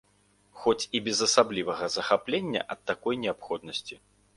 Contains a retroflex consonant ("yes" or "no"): no